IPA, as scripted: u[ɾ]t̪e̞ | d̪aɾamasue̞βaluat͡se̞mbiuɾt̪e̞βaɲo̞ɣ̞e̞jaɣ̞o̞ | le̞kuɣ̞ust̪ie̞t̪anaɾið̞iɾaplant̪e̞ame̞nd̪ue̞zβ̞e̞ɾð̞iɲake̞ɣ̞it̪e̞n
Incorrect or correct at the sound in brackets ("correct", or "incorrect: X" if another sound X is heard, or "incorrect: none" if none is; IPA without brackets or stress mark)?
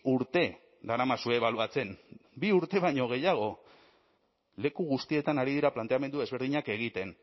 correct